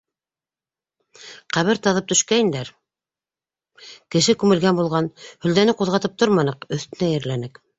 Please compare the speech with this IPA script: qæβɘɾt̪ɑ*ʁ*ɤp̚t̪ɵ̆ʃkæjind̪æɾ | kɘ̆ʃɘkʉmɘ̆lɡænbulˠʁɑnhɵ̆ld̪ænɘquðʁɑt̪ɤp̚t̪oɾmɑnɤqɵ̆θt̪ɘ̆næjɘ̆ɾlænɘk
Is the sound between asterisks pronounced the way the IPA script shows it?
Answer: no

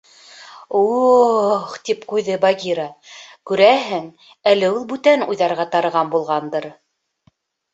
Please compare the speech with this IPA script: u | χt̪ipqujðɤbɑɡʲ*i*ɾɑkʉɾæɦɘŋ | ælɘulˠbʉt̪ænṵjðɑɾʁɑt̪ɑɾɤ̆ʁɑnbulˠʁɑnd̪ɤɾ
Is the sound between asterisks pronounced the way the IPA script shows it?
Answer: yes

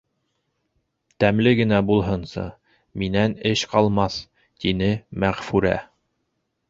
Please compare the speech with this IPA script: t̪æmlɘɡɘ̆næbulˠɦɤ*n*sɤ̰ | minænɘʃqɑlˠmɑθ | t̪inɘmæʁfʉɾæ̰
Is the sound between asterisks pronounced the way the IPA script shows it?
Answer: yes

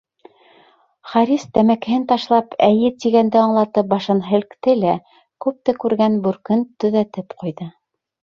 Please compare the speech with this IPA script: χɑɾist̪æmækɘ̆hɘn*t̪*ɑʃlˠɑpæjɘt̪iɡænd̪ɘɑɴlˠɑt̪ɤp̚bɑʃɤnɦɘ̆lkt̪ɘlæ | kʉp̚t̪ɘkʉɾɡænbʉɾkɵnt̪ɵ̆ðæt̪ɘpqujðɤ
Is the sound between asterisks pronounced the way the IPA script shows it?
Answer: yes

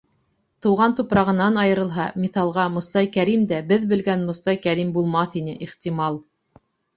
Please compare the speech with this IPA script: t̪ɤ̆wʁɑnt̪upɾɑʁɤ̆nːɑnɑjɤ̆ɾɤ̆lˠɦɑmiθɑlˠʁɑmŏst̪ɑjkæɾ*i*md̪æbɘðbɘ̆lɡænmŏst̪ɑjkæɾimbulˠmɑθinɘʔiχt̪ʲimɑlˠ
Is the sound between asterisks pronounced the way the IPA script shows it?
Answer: yes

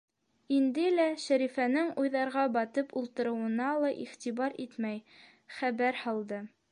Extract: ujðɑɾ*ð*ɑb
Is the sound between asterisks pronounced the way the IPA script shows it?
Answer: no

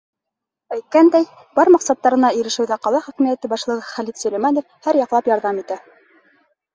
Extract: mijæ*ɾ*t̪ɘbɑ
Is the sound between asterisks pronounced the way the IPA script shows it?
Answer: no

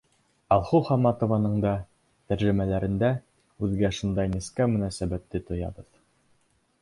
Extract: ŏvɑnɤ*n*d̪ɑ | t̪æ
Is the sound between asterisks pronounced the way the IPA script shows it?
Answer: no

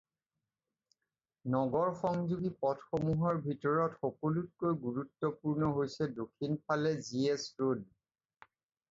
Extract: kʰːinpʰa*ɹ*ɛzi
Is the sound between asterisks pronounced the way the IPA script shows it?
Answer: no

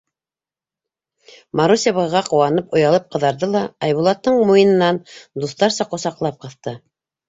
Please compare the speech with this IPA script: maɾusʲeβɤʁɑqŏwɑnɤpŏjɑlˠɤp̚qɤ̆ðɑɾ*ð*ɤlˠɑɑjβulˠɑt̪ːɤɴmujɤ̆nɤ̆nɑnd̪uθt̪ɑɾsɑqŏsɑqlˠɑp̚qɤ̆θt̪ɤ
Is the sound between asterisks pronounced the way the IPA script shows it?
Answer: yes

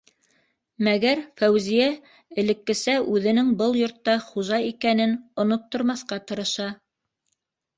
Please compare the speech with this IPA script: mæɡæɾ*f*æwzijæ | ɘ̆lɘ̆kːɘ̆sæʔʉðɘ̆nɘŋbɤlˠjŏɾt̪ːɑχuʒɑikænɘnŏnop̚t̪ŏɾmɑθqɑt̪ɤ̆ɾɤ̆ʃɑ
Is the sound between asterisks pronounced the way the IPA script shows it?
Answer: yes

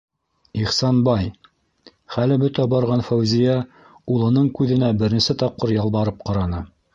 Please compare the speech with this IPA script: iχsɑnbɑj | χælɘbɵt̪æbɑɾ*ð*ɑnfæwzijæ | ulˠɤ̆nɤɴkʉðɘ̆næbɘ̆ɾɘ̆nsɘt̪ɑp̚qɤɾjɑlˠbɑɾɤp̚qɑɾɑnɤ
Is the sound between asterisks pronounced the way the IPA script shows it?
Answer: no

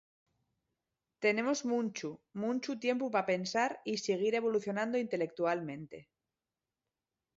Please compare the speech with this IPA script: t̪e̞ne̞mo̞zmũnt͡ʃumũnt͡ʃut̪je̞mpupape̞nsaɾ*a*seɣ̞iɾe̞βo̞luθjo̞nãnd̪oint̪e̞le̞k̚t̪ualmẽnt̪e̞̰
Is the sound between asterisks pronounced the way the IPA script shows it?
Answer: no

